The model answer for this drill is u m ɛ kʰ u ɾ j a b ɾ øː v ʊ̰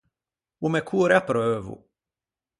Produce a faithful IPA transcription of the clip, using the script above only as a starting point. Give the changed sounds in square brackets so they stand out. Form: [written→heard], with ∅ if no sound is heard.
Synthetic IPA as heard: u m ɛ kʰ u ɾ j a [b→p] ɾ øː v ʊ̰